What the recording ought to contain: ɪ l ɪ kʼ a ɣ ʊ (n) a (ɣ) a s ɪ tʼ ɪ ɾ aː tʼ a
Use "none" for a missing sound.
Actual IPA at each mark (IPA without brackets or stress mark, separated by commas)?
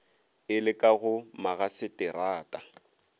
m, ɣ